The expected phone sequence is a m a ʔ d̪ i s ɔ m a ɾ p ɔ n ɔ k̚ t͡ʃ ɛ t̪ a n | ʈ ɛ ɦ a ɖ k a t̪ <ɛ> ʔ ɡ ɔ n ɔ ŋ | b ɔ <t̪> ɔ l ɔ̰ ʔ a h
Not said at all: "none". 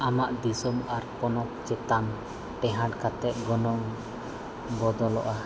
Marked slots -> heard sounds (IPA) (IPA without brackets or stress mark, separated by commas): ɛ, d̪